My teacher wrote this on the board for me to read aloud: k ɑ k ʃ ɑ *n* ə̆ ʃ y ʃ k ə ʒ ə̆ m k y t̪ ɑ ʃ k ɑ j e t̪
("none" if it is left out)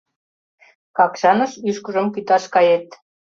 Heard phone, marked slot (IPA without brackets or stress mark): n